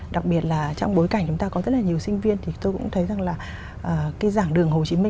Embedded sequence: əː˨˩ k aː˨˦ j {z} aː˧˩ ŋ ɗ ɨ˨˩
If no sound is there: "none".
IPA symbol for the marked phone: z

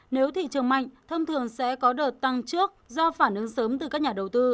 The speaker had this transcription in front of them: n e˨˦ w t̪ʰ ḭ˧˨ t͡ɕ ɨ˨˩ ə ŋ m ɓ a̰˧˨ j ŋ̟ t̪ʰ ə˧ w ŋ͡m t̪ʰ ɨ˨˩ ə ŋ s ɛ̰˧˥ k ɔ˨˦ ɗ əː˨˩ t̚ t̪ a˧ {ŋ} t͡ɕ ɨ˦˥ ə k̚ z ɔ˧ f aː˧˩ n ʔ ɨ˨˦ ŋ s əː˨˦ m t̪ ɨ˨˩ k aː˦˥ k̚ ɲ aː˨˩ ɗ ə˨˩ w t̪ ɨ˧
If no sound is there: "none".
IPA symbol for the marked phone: ŋ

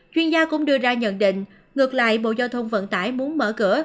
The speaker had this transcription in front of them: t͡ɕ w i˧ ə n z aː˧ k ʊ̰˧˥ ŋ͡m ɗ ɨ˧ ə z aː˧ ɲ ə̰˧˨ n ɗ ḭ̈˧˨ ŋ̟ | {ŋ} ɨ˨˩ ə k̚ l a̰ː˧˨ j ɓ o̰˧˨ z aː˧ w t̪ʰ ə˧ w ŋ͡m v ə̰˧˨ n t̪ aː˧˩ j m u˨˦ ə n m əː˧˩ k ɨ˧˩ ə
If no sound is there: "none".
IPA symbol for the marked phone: ŋ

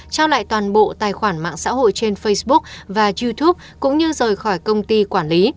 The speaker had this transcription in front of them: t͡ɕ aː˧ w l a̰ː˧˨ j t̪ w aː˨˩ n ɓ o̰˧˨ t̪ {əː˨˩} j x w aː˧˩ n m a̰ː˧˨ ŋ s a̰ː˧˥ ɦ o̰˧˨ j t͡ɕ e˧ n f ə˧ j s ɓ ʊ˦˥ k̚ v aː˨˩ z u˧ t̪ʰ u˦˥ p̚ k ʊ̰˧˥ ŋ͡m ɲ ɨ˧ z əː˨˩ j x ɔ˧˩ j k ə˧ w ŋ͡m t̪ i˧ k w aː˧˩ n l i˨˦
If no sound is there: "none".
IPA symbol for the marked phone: aː˨˩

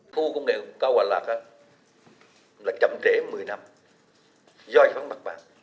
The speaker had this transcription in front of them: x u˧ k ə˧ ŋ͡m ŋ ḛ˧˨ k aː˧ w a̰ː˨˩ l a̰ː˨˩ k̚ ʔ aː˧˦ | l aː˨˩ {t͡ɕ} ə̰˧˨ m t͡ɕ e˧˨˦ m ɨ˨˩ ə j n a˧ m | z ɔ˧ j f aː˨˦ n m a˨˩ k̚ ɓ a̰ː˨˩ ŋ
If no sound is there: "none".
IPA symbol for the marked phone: t͡ɕ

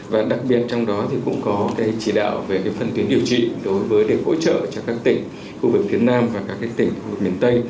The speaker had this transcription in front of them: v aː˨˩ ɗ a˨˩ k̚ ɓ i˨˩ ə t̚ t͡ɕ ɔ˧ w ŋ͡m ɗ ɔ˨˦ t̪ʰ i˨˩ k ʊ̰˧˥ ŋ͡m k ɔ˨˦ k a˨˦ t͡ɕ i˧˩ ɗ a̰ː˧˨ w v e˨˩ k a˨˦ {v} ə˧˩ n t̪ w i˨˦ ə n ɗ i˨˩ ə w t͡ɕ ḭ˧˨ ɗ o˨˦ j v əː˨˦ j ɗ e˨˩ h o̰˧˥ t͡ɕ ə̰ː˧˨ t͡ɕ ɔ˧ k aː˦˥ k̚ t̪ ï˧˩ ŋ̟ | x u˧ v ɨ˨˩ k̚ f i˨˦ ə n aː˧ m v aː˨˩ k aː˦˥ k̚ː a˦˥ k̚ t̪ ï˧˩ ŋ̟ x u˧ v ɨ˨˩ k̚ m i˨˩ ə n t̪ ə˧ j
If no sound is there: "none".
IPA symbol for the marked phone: f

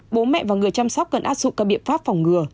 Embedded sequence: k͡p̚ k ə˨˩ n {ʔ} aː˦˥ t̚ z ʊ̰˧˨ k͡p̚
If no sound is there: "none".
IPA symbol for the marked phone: ʔ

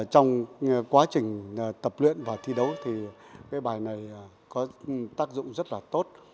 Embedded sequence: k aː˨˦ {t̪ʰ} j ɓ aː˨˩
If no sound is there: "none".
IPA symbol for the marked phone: none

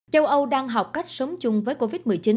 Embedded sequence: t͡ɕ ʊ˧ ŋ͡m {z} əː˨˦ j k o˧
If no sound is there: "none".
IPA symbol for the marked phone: v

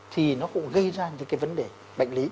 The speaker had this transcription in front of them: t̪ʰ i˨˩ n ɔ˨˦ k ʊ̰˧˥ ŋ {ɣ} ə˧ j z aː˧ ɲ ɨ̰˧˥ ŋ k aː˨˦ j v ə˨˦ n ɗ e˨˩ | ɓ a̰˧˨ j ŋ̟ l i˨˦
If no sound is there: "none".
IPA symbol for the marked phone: ɣ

